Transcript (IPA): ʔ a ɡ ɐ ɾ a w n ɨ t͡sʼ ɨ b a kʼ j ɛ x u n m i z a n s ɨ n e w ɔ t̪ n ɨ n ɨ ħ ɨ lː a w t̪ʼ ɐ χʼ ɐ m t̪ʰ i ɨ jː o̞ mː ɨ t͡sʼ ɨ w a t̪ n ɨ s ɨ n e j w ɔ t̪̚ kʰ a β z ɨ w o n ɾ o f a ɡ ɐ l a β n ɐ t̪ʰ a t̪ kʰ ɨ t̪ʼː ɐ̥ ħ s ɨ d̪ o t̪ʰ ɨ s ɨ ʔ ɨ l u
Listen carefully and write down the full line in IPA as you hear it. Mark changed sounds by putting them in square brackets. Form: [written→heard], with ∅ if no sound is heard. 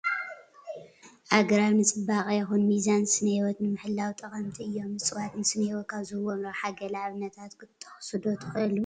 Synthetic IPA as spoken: ʔ a ɡ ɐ ɾ a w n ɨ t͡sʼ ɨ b a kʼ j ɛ x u n m i z a n s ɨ n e w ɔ t̪ n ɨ [n→m] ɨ ħ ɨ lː a w t̪ʼ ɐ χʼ ɐ m t̪ʰ i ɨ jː o̞ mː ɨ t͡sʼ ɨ w a t̪ n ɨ s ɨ n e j w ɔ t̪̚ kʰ a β z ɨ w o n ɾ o [f→ħ] a ɡ ɐ l a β n ɐ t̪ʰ a t̪ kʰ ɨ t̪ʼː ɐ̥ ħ s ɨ d̪ o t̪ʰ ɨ [s→x] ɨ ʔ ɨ l u